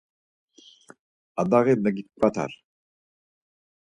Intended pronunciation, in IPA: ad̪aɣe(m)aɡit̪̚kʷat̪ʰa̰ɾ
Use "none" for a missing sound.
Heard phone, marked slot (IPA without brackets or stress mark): n